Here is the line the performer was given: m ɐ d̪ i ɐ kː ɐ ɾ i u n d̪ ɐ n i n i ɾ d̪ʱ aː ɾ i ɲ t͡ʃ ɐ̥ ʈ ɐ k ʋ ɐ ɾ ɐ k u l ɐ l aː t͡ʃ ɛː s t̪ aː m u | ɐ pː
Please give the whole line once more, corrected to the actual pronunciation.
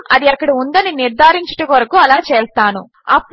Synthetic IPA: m ɐ d̪ i ɐ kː ɐ ɽ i u n d̪ ɐ n i n i ɾ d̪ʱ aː ɾ i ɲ t͡ʃ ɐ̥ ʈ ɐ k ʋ ɐ ɾ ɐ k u ɐ l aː t͡ʃ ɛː s t̪ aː n u | ɐ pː